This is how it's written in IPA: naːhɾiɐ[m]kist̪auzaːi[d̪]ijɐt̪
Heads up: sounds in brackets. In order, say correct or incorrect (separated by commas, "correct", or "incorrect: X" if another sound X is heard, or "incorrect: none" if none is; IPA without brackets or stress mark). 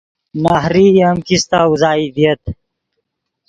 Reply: correct, correct